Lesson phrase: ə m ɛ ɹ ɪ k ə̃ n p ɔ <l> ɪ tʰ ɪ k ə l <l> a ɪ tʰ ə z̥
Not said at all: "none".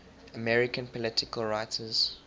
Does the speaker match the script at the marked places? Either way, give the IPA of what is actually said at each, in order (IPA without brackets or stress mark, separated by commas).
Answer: l, ɹ